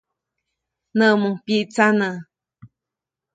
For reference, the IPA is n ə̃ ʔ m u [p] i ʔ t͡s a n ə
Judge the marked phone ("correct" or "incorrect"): correct